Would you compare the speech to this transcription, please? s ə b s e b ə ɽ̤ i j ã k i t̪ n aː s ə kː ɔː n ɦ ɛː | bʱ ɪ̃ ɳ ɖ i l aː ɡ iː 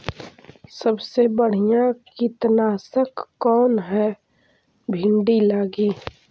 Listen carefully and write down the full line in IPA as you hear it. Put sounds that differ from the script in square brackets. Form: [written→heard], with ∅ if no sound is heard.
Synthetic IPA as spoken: s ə b s e b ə ɽ̤ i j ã k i t̪ n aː s ə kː ɔː n ɦ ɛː | bʱ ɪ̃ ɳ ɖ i l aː ɡ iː